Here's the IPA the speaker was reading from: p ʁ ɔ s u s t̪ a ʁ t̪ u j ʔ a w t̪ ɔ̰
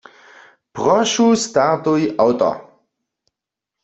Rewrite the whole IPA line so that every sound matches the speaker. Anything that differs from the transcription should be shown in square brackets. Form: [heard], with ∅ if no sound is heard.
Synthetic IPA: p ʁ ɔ [ʃ] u s t̪ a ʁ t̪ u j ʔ a w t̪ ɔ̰